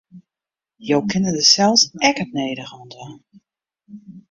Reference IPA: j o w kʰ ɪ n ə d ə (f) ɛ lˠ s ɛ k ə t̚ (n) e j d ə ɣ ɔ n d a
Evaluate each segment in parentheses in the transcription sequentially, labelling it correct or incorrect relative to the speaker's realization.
incorrect, correct

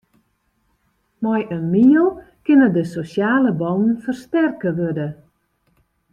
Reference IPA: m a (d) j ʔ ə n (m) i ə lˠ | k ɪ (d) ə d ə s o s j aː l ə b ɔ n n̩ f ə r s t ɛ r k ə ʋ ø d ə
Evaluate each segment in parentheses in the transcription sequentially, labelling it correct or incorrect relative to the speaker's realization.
incorrect, correct, incorrect

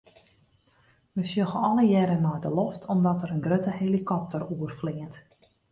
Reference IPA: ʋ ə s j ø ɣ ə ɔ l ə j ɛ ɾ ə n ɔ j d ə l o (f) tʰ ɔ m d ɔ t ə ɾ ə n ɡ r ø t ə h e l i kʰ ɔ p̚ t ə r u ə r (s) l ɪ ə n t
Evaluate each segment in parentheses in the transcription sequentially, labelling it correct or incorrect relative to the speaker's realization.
correct, incorrect

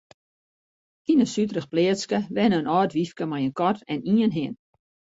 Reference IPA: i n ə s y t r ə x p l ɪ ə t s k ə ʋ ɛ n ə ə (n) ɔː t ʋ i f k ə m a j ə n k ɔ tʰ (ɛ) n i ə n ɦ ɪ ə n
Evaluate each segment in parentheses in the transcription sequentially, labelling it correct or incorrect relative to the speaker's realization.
correct, correct

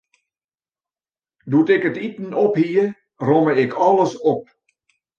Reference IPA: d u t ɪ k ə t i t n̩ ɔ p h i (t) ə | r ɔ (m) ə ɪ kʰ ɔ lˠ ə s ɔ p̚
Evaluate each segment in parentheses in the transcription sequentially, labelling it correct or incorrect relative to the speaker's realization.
incorrect, correct

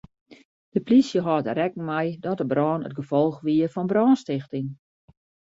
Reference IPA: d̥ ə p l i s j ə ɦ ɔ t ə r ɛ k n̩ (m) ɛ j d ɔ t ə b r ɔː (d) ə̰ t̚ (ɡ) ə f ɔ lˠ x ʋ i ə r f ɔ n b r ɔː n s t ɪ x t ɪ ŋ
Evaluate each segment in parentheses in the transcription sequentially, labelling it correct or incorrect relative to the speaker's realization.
correct, incorrect, correct

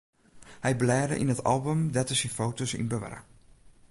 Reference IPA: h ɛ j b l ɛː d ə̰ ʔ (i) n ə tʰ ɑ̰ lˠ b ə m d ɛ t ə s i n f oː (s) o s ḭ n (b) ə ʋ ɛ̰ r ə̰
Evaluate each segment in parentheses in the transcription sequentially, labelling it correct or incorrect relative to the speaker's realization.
correct, incorrect, correct

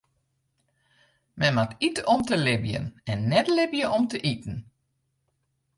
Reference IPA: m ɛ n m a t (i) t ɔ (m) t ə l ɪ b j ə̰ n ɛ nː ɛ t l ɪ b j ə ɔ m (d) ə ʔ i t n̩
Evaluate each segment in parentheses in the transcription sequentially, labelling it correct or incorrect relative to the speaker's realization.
correct, correct, incorrect

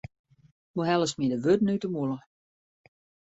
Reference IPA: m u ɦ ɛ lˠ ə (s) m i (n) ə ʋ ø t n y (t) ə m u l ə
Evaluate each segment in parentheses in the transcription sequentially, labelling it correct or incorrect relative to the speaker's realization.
correct, incorrect, correct

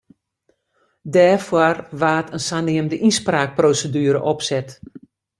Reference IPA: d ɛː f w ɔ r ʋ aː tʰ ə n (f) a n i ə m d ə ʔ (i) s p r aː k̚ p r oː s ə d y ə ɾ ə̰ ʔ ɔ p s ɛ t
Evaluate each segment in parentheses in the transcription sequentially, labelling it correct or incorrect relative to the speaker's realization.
incorrect, correct

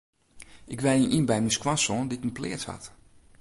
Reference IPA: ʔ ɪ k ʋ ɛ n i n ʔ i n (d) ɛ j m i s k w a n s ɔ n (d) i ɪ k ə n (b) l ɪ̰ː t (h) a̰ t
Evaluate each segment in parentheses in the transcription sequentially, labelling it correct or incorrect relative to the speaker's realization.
incorrect, correct, incorrect, correct

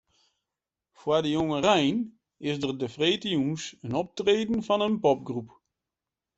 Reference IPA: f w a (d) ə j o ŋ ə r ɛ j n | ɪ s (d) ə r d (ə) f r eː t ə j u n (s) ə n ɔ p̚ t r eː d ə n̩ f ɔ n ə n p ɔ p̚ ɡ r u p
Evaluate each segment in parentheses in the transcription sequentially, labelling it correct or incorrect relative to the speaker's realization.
correct, correct, correct, correct

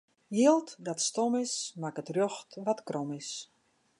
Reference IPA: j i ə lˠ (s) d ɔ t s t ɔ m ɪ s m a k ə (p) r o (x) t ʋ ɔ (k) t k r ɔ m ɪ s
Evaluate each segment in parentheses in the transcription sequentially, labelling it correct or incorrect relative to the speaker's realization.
incorrect, incorrect, correct, incorrect

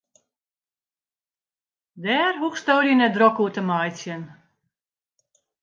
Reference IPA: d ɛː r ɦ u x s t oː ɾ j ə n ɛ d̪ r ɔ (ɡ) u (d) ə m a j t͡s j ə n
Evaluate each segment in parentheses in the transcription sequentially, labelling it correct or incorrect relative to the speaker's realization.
incorrect, incorrect

